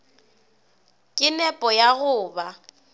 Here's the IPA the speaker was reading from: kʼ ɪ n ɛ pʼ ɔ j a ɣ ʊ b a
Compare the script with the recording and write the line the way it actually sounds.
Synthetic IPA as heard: kʼ ɪ n ɛ pʼ ɔ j a ɣ ʊː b a